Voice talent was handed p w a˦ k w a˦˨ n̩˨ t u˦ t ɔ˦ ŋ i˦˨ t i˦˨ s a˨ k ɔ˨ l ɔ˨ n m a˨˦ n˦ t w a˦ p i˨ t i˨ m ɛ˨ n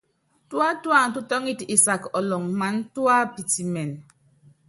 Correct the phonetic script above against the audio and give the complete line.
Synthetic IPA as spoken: t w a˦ t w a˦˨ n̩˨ t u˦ t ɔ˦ ŋ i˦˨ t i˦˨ s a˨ k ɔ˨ l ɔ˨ ŋ m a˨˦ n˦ t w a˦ p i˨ t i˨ m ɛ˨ n